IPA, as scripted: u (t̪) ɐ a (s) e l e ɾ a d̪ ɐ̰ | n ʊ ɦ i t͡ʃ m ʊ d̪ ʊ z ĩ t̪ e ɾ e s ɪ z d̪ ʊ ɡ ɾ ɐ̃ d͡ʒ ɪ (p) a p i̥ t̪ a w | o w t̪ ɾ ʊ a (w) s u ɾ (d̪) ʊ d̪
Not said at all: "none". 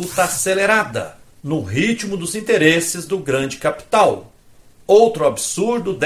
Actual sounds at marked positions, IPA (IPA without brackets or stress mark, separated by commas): t̪, s, k, b, d̪